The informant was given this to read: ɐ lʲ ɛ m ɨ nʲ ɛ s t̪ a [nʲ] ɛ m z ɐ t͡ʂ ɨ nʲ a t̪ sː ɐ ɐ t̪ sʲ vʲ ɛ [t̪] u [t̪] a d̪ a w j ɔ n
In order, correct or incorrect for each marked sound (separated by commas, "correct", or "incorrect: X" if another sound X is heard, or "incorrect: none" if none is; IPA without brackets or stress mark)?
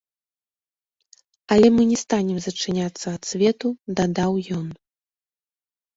correct, correct, incorrect: d̪